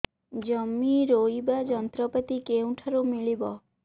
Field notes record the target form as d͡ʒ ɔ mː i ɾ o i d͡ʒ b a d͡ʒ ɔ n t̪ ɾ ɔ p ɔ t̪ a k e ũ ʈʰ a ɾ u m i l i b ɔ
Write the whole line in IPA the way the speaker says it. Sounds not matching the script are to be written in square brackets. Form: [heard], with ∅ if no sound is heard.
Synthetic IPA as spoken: d͡ʒ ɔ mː i ɾ o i [∅] b a d͡ʒ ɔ n t̪ ɾ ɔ p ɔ t̪ [i] k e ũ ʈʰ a ɾ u m i [ɭ] i b ɔ